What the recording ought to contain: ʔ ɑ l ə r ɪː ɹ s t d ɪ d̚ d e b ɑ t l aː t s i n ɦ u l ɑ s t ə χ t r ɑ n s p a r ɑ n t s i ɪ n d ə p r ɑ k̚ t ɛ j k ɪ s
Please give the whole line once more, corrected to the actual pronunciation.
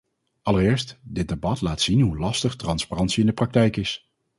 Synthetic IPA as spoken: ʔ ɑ l ə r ɪː ɹ s t d ɪ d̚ d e b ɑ t l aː t s i n ɦ u l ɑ s t ə χ t r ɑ n s p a r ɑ n t s i ɪ n d ə p r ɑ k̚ t ɛ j k ɪ s